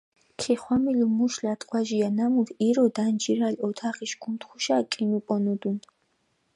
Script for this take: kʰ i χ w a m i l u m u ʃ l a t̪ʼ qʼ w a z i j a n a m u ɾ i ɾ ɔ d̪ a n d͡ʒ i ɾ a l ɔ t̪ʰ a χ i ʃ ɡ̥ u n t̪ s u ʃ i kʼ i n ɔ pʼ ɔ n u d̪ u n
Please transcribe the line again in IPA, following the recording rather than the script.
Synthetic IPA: kʰ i χ w a m i l u m u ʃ l a t̪ʼ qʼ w a ʒ i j a n a m u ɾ i ɾ ɔ d̪ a n d͡ʒ i ɾ a l ɔ t̪ʰ a χ i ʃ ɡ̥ u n t̪ χ u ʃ a kʼ i n u pʼ ɔ n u d̪ u n